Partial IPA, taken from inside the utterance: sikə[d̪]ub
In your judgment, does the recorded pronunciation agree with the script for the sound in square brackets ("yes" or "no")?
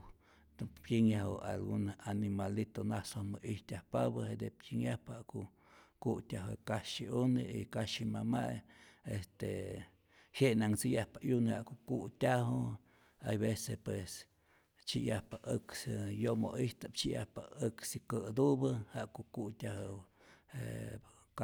yes